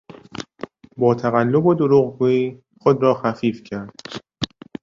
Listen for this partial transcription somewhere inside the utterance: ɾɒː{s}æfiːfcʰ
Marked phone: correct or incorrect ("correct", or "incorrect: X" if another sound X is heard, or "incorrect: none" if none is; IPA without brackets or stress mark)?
incorrect: x